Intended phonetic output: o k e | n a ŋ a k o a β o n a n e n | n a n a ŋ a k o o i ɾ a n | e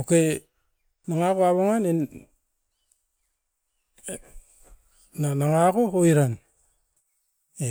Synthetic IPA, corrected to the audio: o k e | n a ŋ a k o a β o ŋ a n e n | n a n a ŋ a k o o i ɾ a n | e